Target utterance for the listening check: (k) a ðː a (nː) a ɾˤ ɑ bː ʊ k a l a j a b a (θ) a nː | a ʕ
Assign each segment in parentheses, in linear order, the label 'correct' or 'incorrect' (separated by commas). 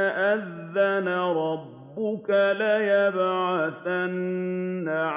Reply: incorrect, incorrect, correct